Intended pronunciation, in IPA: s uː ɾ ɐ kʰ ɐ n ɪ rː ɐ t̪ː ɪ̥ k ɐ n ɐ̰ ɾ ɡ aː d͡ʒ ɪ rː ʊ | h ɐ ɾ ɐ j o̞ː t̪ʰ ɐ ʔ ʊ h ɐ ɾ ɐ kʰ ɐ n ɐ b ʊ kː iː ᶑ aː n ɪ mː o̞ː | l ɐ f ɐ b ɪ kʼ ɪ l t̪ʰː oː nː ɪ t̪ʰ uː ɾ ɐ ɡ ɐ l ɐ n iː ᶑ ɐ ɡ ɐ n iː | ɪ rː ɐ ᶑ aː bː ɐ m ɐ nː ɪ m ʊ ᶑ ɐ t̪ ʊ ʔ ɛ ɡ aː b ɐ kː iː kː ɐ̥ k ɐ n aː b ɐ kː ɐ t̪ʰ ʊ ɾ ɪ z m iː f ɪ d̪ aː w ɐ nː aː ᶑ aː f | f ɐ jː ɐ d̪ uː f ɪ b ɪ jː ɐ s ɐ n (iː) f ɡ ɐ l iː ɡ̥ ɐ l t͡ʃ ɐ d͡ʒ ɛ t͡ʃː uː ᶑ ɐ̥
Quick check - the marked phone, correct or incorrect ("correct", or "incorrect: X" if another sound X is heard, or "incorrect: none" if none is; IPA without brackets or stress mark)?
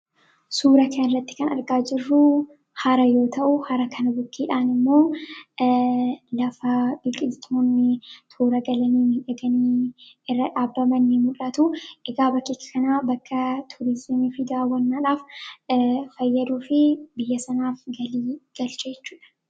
incorrect: aː